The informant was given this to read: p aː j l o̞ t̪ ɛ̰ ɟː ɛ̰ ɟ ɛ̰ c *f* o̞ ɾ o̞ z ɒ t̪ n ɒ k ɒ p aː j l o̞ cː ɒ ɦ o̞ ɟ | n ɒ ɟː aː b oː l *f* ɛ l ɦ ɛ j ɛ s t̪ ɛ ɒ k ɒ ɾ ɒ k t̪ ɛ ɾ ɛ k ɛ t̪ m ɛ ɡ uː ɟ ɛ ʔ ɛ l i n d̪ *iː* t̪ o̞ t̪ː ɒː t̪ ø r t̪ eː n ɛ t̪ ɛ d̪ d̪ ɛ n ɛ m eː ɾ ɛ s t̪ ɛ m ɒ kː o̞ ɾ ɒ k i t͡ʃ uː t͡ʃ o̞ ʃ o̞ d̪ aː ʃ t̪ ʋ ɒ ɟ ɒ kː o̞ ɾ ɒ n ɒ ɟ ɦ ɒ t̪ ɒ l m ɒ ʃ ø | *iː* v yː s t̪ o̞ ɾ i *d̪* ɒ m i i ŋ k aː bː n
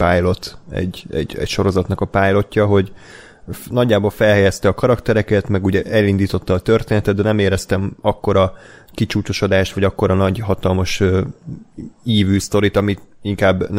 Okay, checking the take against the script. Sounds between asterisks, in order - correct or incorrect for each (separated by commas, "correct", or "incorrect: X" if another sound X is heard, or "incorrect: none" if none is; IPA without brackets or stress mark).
incorrect: ʃ, correct, correct, correct, incorrect: t̪